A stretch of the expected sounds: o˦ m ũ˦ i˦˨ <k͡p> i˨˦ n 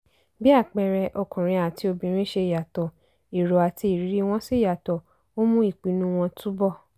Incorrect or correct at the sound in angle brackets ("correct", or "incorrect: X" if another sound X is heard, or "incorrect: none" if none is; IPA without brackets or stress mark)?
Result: correct